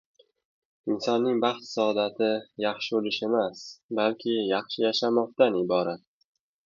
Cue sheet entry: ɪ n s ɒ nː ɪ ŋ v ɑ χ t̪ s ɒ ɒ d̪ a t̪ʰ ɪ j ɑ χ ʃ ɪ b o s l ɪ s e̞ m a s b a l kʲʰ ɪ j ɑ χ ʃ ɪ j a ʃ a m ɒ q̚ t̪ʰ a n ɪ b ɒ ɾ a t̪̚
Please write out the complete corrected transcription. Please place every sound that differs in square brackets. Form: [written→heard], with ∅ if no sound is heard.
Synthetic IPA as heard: ɪ n s ɒ nː ɪ ŋ [v→b] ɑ χ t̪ s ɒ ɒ d̪ a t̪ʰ ɪ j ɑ χ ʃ ɪ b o [s→∅] l ɪ [s→ʃ] e̞ m a s b a l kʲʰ ɪ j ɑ χ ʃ ɪ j a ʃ a m ɒ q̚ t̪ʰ a n ɪ b ɒ ɾ a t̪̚